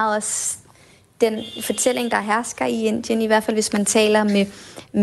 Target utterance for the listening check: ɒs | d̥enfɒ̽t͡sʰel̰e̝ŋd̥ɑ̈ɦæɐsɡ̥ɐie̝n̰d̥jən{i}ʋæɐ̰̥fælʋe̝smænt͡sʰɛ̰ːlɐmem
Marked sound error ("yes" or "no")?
no